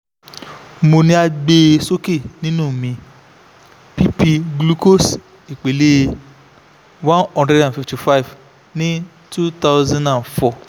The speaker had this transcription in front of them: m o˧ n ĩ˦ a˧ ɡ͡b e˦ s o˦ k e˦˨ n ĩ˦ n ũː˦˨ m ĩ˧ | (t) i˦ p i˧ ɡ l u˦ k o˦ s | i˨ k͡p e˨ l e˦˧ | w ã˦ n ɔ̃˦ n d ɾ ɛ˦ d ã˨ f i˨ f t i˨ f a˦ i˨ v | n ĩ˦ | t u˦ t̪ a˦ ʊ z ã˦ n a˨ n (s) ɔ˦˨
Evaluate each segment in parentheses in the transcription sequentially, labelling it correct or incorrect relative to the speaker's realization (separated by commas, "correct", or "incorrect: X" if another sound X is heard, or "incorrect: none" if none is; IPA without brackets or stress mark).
incorrect: p, incorrect: f